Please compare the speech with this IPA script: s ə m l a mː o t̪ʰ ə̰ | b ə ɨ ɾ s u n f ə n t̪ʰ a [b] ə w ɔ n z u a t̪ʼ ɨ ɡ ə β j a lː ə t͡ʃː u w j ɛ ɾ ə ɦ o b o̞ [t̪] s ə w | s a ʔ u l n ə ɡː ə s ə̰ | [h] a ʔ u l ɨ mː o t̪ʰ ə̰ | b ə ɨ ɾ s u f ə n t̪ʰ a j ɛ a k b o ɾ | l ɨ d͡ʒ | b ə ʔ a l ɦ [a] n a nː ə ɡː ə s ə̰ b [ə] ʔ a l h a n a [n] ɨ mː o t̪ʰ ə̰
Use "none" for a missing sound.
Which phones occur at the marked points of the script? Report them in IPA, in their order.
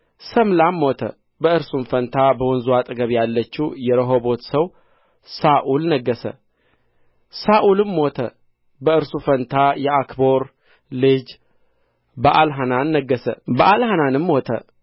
b, t̪, s, a, ə, n

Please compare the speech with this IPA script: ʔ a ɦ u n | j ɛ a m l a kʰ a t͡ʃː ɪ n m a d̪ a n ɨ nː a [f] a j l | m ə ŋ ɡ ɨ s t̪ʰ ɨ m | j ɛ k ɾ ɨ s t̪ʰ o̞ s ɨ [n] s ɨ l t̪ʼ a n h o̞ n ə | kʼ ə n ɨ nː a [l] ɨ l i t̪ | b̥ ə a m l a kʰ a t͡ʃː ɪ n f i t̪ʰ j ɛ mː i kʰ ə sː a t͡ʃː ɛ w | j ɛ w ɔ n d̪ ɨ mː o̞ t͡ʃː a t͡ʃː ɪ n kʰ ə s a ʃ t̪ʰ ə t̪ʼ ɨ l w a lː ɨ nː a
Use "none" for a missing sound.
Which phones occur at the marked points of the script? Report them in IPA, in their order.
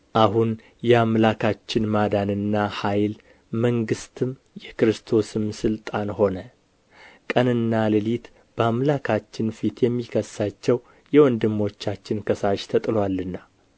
h, m, l

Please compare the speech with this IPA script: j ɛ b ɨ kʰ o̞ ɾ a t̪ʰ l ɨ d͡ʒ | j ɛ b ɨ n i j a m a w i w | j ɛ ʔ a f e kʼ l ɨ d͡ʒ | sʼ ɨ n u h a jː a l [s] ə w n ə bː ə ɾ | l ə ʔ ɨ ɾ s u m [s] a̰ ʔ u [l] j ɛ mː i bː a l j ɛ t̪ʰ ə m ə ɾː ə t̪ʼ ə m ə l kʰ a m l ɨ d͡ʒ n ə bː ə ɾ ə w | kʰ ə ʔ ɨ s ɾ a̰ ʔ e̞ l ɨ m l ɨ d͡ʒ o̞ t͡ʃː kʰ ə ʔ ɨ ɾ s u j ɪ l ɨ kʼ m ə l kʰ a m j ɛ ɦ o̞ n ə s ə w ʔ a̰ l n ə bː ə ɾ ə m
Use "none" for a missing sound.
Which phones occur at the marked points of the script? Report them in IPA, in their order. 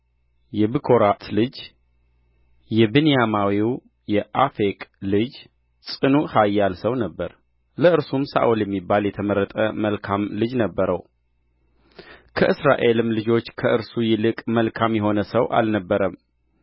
s, s, l

